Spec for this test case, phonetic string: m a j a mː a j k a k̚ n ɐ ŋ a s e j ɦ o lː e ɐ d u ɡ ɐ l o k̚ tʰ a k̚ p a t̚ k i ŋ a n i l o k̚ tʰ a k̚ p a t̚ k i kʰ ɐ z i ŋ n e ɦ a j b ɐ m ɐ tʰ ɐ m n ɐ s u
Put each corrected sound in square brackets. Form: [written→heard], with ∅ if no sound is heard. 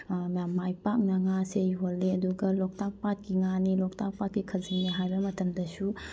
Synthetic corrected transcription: m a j a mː a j [k→p] a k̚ n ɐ ŋ a s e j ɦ o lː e ɐ d u ɡ ɐ l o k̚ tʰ a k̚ p a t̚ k i ŋ a n i l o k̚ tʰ a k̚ p a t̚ k i kʰ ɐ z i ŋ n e ɦ a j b ɐ m ɐ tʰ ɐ m [n→d] ɐ s u